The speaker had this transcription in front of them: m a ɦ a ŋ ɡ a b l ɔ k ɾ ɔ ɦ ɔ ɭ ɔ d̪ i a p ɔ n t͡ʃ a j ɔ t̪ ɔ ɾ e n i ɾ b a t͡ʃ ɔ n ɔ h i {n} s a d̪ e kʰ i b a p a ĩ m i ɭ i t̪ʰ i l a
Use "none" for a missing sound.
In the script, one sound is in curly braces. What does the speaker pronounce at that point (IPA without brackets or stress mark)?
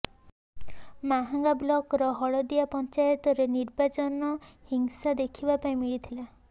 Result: ŋ